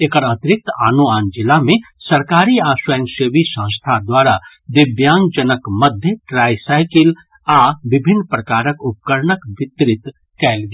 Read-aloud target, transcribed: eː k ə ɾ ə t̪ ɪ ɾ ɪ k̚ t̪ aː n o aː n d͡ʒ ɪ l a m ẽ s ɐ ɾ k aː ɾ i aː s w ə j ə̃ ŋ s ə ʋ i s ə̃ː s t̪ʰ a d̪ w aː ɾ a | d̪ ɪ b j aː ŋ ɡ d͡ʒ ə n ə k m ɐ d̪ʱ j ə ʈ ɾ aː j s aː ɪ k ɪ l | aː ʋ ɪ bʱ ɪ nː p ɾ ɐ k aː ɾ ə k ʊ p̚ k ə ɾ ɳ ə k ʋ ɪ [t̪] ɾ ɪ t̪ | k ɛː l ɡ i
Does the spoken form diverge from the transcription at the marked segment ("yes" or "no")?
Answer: no